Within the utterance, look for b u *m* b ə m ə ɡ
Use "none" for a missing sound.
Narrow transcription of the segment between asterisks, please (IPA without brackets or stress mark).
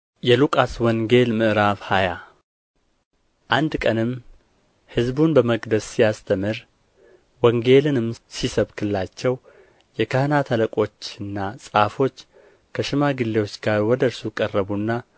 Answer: n